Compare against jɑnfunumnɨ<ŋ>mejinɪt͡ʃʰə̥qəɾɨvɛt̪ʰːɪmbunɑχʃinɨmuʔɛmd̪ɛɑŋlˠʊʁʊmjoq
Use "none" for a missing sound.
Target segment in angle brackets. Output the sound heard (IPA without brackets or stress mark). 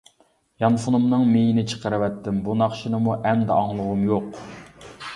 ŋ